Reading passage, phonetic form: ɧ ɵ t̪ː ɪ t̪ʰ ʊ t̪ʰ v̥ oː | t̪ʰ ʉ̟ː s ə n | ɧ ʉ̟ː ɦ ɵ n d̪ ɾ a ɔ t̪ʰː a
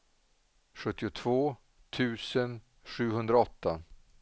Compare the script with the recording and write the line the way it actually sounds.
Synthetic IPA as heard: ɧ ɵ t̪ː ɪ ʊ t̪ʰ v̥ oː | t̪ʰ ʉ̟ː s ə n | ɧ ʉ̟ː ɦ ɵ n d̪ ɾ a ɔ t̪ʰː a

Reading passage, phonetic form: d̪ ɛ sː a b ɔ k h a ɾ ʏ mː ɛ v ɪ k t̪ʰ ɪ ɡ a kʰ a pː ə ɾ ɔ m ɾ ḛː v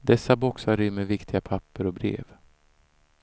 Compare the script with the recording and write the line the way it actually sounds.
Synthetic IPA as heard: d̪ ɛ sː a b ɔ k s a ɾ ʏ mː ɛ v ɪ k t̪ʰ ɪ ɡ a pʰ a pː ə ɾ ɔ b ɾ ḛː v

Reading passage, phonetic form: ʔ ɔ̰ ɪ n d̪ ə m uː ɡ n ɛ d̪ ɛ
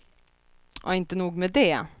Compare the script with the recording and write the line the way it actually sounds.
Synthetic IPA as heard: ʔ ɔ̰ ɪ n t̪ ə n uː ɡ m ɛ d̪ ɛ

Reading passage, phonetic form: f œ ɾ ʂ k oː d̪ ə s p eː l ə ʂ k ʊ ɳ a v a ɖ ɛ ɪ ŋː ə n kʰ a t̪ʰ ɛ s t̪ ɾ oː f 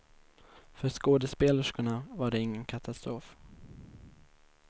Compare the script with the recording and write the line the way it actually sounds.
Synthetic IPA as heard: f œ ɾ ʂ k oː d̪ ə s p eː l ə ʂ k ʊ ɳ a v a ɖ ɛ ɪ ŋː ə n kʰ a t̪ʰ a s t̪ ɾ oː f

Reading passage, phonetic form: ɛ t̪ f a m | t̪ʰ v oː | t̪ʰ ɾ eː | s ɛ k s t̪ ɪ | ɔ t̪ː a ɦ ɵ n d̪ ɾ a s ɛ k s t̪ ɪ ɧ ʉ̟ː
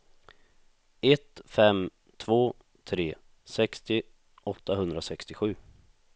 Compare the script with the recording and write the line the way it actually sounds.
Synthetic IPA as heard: ɛ t̪ f ɛ m | t̪ʰ v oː | t̪ʰ ɾ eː | s ɛ k s t̪ ɪ | ɔ t̪ː a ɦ ɵ n d̪ ɾ a s ɛ k s t̪ ɪ ɧ ʉ̟ː

